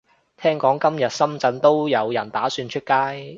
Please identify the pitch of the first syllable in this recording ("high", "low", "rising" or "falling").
high